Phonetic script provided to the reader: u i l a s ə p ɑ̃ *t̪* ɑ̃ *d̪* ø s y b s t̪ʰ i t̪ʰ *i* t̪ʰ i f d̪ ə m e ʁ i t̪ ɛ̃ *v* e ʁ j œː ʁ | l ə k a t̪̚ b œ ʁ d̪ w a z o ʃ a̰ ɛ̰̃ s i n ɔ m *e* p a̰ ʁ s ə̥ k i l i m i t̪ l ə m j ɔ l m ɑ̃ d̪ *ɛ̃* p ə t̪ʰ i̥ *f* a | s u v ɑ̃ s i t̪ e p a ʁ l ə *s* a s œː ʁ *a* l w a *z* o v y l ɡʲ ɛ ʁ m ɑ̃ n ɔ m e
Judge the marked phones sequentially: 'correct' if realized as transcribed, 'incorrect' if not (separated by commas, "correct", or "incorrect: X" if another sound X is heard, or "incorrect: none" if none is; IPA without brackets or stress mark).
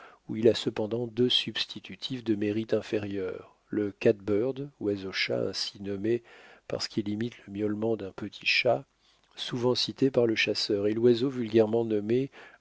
incorrect: d̪, correct, incorrect: y, incorrect: f, correct, correct, incorrect: ʃ, incorrect: ʃ, incorrect: e, correct